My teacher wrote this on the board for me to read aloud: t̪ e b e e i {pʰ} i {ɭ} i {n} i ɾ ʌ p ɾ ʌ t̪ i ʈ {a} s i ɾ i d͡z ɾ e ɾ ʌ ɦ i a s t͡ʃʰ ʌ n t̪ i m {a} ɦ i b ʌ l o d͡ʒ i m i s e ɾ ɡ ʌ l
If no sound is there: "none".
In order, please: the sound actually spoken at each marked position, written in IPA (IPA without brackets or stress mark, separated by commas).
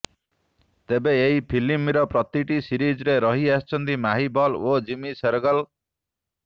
pʰ, l, m, i, a